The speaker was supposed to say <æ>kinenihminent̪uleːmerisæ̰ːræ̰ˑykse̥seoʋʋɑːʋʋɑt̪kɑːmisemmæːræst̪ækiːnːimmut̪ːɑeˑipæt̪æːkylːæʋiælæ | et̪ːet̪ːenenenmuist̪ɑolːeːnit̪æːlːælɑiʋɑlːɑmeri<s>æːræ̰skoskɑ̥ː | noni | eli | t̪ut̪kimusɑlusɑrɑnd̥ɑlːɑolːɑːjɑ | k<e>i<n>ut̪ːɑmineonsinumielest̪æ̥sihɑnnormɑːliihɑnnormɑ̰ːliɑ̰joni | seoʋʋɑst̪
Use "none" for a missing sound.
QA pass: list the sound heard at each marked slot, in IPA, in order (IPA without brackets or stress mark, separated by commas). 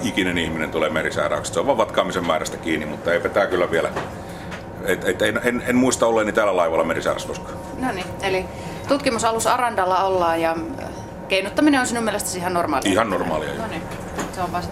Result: i, s, e, n